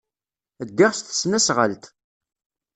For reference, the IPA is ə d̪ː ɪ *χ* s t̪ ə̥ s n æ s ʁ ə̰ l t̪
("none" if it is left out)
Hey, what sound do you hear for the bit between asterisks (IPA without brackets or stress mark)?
ʁ